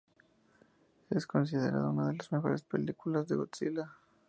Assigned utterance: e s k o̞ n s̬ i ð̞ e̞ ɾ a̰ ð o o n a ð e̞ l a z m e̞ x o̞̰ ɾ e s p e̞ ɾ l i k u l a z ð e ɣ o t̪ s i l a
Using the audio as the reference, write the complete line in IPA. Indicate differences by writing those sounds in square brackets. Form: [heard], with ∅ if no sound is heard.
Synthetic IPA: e s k o̞ n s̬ i ð̞ e̞ ɾ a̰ ð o [u] n a ð e̞ l a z m e̞ x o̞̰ ɾ e s p e̞ [∅] l i k u l a z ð e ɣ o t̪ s i l a